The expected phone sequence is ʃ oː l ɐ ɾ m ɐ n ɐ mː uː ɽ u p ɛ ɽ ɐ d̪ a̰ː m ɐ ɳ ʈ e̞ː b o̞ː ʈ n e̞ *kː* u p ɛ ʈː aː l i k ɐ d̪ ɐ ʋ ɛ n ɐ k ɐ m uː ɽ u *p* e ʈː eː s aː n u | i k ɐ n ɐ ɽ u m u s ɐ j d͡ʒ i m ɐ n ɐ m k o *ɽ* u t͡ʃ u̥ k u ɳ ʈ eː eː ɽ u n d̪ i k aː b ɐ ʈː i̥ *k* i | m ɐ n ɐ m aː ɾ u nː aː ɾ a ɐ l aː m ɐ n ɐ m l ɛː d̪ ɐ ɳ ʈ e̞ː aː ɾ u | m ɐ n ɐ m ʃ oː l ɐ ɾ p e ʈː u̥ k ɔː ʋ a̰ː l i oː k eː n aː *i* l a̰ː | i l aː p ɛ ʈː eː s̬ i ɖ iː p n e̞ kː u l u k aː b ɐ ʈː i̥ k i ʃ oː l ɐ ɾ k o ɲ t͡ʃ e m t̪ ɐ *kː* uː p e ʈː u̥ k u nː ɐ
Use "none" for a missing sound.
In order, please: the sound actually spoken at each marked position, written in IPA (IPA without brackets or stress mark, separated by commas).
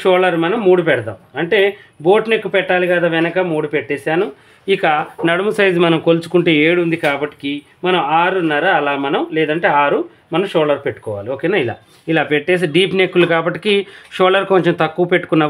kː, p, l, k, i, kː